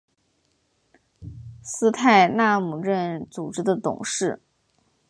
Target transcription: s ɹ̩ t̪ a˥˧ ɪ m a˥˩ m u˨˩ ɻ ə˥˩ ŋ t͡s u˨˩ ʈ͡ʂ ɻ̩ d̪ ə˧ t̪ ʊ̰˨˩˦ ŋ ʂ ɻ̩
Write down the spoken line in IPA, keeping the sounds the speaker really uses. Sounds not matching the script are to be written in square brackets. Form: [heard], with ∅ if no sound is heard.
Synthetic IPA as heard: s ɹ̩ [t̪ʰ] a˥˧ ɪ [n] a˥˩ m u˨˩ ɻ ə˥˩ [n] t͡s u˨˩ ʈ͡ʂ ɻ̩ d̪ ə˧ t̪ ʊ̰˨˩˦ ŋ ʂ ɻ̩